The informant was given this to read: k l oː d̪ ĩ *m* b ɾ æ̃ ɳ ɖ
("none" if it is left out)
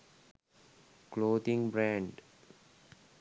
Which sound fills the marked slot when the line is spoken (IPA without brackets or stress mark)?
ŋ